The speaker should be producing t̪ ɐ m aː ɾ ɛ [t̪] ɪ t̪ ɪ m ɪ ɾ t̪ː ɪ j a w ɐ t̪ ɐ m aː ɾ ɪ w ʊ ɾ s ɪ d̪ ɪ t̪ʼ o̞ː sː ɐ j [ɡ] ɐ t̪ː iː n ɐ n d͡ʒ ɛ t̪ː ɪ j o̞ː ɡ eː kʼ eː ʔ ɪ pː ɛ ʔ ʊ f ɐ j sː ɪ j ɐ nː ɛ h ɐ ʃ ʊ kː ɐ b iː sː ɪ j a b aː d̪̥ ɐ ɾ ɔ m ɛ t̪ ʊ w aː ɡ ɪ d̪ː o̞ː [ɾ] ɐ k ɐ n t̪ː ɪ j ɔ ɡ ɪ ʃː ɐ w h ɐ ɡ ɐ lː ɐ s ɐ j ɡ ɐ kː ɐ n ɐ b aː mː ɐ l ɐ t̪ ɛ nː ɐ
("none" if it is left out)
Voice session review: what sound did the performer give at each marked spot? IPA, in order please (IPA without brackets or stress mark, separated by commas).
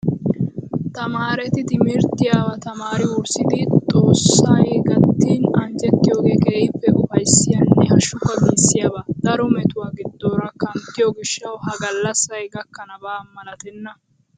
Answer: t̪, ɡ, ɾ